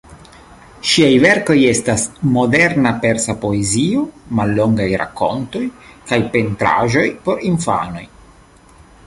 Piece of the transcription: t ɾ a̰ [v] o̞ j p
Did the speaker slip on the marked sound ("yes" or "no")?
yes